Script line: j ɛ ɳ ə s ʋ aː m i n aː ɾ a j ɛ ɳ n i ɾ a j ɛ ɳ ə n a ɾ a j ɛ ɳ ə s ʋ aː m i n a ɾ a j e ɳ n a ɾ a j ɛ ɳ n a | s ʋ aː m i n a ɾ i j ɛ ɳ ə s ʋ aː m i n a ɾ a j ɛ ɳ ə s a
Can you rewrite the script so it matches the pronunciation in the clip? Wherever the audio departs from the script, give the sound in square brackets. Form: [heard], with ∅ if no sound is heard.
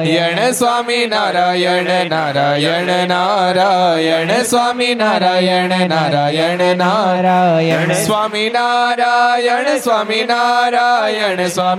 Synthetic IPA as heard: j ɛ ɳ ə s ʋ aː m i n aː ɾ a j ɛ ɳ n [a] ɾ a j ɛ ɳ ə n a ɾ a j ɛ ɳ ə s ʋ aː m i n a ɾ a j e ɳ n a ɾ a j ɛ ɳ n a | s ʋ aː m i n a ɾ [a] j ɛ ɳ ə s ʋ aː m i n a ɾ a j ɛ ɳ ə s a